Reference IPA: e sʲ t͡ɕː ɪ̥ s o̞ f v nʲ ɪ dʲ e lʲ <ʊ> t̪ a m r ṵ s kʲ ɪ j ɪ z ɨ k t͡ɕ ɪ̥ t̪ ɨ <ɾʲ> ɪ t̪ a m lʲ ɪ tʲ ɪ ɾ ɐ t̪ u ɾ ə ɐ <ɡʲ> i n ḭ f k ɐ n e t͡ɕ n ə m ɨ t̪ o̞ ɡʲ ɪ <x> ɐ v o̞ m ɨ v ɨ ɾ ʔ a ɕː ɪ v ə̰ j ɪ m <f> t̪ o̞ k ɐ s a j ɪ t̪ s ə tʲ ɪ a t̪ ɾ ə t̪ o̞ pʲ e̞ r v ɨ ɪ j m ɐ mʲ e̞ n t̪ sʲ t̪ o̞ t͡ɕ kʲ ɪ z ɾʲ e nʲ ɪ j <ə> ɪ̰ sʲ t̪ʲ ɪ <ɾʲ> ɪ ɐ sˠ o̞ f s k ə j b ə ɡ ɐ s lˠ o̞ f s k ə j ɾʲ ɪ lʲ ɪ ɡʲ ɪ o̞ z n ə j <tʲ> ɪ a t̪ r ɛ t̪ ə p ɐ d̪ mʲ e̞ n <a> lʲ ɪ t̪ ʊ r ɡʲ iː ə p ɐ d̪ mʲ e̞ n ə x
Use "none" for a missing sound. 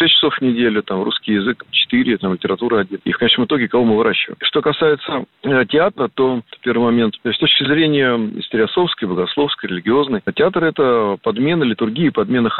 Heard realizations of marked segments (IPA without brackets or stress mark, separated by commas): ʊ, ɾʲ, dʲ, k, ʂ, ə, ɾʲ, tʲ, ə